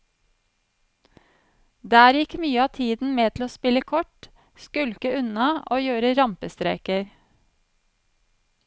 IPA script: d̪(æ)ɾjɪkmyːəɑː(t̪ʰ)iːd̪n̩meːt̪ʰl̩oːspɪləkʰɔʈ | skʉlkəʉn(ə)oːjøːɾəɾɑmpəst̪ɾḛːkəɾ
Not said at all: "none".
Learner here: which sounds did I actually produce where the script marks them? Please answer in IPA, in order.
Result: æː, t̪ʰ, ɑ

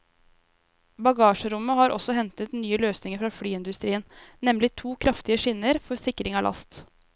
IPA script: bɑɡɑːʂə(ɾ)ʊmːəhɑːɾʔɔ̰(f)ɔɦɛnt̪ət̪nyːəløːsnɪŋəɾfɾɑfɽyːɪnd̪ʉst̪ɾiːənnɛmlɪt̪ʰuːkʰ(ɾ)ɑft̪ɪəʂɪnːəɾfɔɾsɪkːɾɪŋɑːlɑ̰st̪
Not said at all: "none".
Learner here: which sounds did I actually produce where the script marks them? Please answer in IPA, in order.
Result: ɾ, s, ɾ

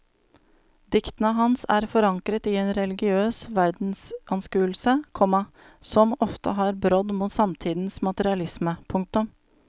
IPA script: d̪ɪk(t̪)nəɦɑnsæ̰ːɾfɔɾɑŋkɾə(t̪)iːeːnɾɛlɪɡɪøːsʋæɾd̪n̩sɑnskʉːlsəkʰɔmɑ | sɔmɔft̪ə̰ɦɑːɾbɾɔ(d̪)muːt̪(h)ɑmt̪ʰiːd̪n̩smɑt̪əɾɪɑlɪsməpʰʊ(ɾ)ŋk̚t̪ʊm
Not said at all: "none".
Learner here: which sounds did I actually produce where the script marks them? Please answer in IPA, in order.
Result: t̪, t̪, d̪, s, none

